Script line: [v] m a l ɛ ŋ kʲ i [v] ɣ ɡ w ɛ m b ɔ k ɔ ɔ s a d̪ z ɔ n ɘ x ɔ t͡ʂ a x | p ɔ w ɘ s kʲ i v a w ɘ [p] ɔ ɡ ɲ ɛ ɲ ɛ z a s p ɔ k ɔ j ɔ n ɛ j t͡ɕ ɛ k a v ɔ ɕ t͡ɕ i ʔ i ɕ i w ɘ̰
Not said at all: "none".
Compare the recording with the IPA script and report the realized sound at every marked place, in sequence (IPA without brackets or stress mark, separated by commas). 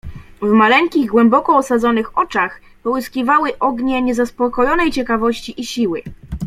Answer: v, none, ʔ